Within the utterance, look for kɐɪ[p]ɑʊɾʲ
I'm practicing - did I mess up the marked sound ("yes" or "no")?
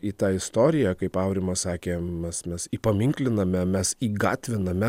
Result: no